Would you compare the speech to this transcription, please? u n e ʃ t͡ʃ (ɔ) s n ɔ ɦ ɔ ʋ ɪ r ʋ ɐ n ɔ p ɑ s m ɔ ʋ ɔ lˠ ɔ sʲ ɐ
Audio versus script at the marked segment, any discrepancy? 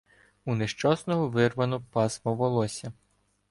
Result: no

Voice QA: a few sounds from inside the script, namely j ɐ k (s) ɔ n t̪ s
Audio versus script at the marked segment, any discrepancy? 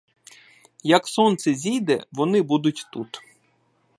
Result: no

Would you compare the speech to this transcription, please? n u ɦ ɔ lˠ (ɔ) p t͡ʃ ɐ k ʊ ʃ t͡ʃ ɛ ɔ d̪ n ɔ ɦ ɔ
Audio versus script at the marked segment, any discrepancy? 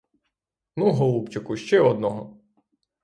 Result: yes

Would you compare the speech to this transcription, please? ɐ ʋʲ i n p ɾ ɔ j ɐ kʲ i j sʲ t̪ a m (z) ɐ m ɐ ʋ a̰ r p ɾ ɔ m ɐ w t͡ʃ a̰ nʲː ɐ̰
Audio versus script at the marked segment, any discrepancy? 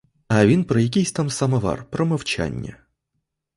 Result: yes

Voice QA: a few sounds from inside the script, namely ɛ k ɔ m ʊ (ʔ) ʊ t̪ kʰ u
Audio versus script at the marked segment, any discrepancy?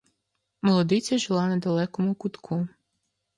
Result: yes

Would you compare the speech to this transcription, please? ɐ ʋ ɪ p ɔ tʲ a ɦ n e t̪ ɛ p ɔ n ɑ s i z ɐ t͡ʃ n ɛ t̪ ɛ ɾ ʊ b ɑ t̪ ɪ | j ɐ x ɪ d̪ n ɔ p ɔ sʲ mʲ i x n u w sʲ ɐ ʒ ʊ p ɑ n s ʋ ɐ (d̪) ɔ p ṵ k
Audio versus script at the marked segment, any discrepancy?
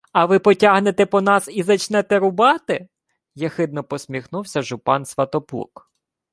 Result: yes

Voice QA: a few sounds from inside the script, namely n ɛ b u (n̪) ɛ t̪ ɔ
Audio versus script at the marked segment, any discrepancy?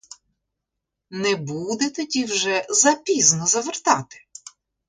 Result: yes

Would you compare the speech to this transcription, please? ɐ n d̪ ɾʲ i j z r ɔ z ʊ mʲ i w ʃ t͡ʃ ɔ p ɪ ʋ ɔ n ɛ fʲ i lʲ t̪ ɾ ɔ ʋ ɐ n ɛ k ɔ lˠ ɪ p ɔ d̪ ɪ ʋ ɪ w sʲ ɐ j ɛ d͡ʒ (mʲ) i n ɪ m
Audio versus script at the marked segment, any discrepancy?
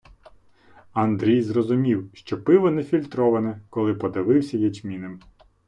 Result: no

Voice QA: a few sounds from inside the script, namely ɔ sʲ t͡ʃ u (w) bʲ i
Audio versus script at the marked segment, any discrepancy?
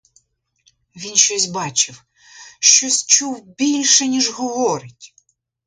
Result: no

